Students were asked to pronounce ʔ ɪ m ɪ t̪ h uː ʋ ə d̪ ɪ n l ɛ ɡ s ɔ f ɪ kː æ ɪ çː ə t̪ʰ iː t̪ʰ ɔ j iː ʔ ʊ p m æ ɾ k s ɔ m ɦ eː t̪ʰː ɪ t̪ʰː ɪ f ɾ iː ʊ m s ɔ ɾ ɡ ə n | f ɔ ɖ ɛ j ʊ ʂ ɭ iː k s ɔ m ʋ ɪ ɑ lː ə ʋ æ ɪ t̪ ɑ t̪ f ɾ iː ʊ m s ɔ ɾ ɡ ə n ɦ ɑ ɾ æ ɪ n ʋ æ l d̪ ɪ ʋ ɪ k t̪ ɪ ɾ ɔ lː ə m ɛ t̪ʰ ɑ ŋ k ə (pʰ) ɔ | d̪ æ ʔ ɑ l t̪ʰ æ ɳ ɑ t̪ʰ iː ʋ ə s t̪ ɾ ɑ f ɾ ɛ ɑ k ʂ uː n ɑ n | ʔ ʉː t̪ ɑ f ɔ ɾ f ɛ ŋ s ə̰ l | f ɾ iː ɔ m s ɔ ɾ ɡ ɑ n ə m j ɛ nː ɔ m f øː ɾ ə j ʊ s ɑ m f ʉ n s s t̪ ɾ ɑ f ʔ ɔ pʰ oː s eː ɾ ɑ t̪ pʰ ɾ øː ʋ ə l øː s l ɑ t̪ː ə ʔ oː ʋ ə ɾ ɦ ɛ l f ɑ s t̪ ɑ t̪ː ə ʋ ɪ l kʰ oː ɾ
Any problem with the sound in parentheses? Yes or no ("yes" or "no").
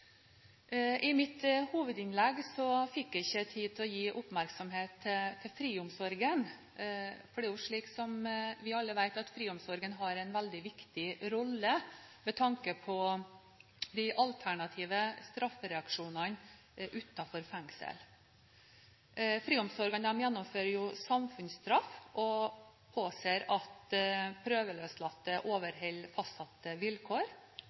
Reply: no